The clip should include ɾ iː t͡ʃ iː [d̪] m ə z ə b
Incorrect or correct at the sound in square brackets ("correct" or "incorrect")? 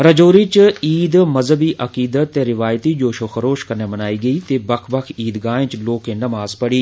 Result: correct